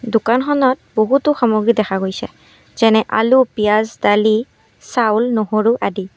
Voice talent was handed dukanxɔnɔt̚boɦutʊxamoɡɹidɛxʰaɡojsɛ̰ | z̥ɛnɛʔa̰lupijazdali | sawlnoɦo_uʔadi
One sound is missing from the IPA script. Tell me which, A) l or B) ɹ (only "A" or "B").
B